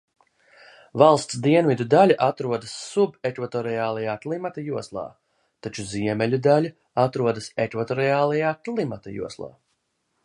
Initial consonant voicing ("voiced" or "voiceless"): voiced